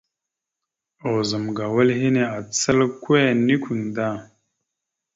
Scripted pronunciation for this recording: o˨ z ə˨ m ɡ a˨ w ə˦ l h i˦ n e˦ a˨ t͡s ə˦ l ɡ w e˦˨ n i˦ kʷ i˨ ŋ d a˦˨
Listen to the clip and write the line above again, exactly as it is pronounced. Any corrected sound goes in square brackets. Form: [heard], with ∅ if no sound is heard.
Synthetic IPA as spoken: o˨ z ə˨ m ɡ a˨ w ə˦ l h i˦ n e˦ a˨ t͡s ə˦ l [k] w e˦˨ n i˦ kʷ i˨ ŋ d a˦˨